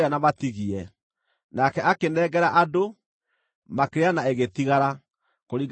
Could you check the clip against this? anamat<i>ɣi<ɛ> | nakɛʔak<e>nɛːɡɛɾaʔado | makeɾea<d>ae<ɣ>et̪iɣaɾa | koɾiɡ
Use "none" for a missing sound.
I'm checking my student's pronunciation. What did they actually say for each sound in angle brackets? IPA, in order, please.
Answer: i, ɛ, e, n, ɣ

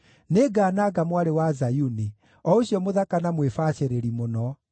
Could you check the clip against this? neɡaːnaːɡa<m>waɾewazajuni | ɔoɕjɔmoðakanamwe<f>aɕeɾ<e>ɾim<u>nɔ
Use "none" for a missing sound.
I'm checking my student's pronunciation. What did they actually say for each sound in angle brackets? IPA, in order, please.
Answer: m, f, e, o

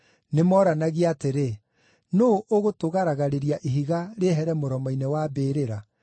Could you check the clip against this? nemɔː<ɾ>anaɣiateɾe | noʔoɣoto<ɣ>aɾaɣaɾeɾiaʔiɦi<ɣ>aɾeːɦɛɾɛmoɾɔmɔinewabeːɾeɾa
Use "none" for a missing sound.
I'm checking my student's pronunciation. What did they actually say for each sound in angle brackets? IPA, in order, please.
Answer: ɾ, ɣ, ɣ

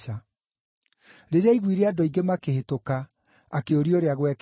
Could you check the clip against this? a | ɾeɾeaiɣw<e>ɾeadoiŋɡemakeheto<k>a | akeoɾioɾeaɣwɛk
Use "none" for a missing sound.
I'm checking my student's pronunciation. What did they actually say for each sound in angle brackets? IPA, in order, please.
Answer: i, k

